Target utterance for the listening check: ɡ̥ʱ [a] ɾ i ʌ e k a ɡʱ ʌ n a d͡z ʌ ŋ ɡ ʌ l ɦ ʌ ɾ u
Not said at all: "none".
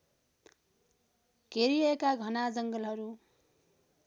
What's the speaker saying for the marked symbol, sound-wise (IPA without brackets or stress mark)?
e